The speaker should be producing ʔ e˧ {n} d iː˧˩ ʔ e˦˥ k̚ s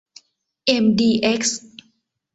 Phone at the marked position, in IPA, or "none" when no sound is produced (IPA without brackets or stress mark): m